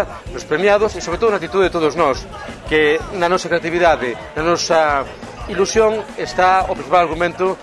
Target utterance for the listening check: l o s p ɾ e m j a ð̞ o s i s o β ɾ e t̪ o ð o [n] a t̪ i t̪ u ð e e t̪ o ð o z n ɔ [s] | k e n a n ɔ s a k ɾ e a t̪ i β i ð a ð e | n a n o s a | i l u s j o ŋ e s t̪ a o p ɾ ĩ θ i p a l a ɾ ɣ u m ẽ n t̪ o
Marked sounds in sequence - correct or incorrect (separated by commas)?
correct, correct